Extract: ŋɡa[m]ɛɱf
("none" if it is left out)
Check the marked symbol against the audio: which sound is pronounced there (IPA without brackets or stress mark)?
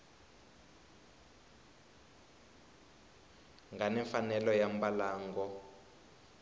n